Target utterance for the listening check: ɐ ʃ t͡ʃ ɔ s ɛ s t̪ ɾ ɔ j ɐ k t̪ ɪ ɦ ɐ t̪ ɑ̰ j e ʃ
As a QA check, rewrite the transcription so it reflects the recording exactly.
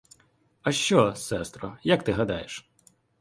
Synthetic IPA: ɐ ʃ t͡ʃ ɔ s ɛ s t̪ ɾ ɔ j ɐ k t̪ ɪ ɦ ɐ d̪ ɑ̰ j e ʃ

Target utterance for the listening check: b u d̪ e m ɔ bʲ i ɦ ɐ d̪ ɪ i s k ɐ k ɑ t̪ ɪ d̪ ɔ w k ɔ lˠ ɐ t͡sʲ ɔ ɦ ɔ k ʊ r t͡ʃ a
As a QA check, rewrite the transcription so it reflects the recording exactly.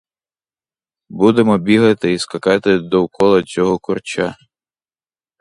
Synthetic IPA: b u d̪ e m ɔ bʲ i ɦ ɐ t̪ ɪ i s k ɐ k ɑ t̪ ɪ d̪ ɔ w k ɔ lˠ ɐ t͡sʲ ɔ ɦ ɔ k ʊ r t͡ʃ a

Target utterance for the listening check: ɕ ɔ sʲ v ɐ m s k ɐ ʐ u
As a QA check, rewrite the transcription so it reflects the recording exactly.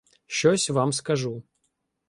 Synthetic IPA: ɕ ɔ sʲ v a m s k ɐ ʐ u

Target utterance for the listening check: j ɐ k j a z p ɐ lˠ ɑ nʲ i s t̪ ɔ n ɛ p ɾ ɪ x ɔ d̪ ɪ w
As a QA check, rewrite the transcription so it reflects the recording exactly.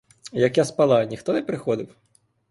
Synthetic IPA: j ɐ k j a s p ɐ lˠ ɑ nʲ i x t̪ ɔ n ɛ p ɾ ɪ x ɔ d̪ ɪ w

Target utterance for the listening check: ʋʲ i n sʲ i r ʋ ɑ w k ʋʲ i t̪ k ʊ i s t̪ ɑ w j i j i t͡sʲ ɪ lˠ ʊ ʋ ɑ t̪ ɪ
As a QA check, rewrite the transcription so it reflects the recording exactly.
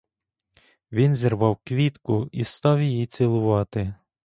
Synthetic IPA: ʋʲ i n zʲ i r ʋ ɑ w k ʋʲ i t̪ k ʊ i s t̪ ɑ w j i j i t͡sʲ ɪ lˠ ʊ ʋ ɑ t̪ ɪ

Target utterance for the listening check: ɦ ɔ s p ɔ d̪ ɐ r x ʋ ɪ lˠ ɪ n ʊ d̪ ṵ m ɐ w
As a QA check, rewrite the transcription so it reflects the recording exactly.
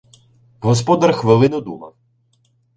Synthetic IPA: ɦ ɔ s p ɔ d̪ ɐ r x ʋ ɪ lˠ ɪ n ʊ d̪ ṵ m ɐ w

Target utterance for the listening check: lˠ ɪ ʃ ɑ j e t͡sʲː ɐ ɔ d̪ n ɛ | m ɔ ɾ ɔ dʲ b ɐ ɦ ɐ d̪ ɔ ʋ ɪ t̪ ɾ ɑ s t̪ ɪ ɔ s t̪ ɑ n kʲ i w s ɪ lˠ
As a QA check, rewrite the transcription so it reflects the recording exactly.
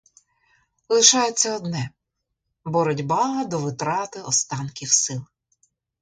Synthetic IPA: lˠ ɪ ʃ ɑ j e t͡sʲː ɐ ɔ d̪ n ɛ | b ɔ ɾ ɔ dʲ b ɑ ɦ ɐ d̪ ɔ ʋ ɪ t̪ ɾ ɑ t̪ ɪ ɔ s t̪ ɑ n kʲ i w s ɪ lˠ

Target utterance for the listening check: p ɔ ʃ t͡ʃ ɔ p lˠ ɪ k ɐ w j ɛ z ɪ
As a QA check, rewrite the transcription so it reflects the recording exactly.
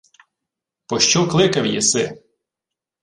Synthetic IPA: p ɔ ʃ t͡ʃ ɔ k lˠ ɪ k ɐ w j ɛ s ɪ

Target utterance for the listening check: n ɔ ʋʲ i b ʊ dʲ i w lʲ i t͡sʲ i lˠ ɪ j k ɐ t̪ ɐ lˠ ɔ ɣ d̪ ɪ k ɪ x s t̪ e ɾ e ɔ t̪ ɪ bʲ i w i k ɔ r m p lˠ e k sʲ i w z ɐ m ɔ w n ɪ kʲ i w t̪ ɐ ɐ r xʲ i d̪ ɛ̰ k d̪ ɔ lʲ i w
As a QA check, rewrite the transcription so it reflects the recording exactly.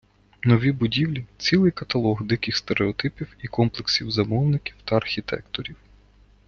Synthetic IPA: n ɔ ʋʲ i b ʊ dʲ i w lʲ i t͡sʲ i lˠ ɪ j k ɐ t̪ ɐ lˠ ɔ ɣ d̪ ɪ k ɪ x s t̪ e ɾ e ɔ t̪ ɪ pʲ i w i k ɔ m p lˠ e k sʲ i w z ɐ m ɔ w n ɪ kʲ i w t̪ ɐ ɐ r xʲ i t̪ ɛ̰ k t̪ ɔ ɾʲ i w

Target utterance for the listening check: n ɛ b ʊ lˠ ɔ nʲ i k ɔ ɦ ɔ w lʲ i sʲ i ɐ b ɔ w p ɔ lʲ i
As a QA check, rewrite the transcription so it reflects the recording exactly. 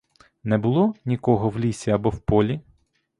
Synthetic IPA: n ɛ b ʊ lˠ ɔ nʲ i k ɔ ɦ ɔ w lʲ i sʲ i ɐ b ɔ w p ɔ lʲ i

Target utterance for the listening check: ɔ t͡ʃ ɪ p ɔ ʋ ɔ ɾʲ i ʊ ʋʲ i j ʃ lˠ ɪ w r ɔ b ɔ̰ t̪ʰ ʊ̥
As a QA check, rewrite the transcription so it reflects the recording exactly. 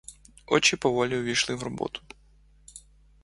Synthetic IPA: ɔ t͡ʃ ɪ p ɔ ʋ ɔ lʲ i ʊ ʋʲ i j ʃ lˠ ɪ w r ɔ b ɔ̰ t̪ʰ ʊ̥

